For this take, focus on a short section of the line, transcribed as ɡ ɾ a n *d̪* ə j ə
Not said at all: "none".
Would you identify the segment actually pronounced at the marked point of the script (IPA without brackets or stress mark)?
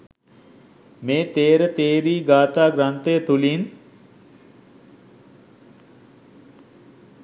t̪